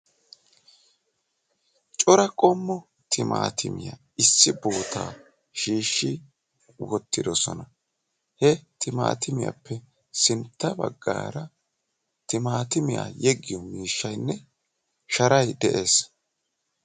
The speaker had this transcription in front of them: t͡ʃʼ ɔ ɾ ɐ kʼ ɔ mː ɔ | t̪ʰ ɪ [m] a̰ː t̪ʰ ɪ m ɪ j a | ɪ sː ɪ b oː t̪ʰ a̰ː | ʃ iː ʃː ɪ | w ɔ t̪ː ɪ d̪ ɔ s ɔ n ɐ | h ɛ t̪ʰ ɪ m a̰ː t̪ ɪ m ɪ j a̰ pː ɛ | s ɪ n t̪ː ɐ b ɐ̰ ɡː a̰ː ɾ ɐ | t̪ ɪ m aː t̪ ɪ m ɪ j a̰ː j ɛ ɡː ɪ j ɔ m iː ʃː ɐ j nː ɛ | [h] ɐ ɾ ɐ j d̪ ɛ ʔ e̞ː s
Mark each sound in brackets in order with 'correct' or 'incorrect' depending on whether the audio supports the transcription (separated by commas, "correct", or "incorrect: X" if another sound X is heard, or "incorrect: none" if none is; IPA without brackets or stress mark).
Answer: correct, incorrect: ʃ